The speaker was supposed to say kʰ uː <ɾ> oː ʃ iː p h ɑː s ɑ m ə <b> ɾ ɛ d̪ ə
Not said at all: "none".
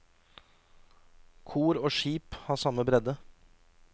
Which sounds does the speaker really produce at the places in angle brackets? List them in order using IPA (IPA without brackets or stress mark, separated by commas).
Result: ɾ, b